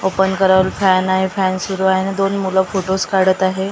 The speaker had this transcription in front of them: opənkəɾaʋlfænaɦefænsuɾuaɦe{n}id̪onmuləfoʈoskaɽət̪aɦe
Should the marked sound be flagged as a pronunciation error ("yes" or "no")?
no